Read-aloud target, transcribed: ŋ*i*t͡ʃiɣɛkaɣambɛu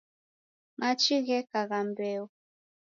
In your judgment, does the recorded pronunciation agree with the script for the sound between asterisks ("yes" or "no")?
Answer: no